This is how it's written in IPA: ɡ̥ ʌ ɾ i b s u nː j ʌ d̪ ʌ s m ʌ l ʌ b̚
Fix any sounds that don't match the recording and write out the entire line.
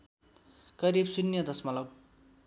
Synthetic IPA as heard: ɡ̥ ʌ ɾ i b s u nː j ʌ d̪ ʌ s m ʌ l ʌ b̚